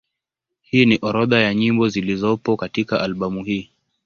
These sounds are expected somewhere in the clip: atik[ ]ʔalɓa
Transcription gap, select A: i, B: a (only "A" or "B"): B